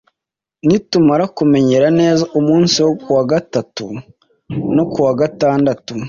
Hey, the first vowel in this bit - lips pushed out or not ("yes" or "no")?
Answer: no